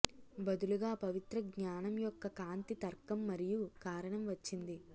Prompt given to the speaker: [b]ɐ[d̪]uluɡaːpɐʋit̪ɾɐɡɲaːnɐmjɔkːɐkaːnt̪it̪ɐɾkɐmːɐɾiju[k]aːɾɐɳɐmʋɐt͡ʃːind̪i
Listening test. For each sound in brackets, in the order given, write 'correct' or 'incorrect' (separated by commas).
correct, correct, correct